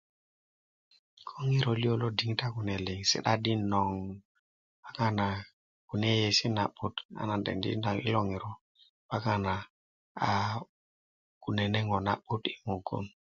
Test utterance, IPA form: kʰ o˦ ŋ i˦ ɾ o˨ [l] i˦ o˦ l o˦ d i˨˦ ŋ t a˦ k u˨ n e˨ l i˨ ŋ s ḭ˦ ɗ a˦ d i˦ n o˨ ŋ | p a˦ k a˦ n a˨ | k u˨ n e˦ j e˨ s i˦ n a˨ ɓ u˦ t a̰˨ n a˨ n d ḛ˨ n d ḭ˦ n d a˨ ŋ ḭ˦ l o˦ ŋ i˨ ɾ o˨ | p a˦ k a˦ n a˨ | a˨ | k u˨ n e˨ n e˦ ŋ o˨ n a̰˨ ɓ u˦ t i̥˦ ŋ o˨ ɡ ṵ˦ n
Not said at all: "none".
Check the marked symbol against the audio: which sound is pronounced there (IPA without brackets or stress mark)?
l